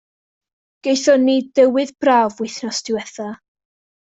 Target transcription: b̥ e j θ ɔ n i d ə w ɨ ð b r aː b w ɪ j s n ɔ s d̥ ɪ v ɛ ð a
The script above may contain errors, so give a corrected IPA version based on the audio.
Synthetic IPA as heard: ɡ̥ e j θ ɔ n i d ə w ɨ ð b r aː v w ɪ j θ n ɔ s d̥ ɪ w ɛ θ a